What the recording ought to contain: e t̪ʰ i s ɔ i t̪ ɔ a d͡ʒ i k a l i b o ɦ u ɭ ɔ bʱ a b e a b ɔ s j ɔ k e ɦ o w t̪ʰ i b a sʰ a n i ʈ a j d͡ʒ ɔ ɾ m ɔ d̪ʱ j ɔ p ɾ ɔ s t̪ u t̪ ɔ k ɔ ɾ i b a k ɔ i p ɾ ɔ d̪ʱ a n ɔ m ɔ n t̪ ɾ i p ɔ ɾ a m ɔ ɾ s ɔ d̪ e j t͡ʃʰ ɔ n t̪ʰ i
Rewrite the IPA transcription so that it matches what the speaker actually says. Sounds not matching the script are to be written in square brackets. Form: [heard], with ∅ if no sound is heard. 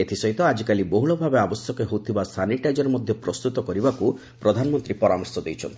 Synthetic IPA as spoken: e t̪ʰ i s ɔ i t̪ ɔ a d͡ʒ i k a l i b o ɦ u ɭ ɔ bʱ a b e a b ɔ s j ɔ k e ɦ o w t̪ʰ i b a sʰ a n i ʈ a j d͡ʒ ɔ ɾ m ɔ d̪ʱ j ɔ p ɾ ɔ s t̪ u t̪ ɔ k ɔ ɾ i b a k [u] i p ɾ ɔ d̪ʱ a n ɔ m ɔ n t̪ ɾ i p ɔ ɾ a m ɔ ɾ s ɔ d̪ e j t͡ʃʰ ɔ n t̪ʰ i